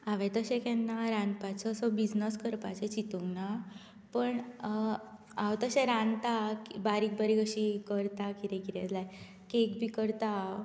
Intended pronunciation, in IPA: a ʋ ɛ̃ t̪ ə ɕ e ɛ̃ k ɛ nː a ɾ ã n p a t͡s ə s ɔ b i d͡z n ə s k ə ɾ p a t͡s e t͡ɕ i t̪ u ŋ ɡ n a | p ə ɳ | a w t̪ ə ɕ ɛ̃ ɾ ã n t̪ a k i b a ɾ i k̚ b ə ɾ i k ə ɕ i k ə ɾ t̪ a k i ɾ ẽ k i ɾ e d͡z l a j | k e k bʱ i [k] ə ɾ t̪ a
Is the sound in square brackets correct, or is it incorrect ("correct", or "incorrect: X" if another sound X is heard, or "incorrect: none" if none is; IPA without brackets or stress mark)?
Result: correct